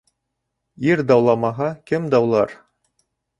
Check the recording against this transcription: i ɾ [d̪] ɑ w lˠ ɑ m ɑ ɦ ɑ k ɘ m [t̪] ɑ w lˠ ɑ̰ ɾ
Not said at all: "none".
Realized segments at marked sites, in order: d̪, d̪

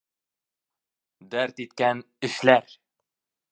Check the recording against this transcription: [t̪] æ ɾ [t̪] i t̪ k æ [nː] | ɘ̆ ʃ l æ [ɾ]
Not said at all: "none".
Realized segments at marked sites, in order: d̪, t̪, n, ɾ

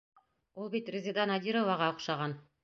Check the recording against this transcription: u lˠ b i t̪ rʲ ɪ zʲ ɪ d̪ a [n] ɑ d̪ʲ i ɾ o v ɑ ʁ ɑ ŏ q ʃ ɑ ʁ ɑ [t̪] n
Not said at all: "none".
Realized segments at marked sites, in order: n, none

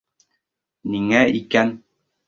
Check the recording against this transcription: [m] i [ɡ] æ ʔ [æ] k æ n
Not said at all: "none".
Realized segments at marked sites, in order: n, ŋ, i

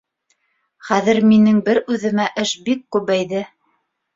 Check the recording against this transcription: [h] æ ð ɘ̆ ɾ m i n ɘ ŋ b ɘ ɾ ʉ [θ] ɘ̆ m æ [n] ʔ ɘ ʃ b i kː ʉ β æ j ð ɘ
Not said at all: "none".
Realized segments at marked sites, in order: χ, ð, none

